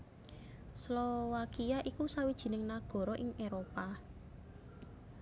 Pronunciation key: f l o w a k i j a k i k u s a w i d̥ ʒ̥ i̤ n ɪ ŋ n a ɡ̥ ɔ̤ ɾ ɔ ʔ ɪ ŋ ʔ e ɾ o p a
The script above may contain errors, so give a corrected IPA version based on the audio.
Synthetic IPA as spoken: s l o w a k i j a ʔ i k u s a w i d̥ ʒ̥ i̤ n ɪ ŋ n a ɡ̥ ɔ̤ ɾ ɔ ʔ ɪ ŋ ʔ e ɾ o p a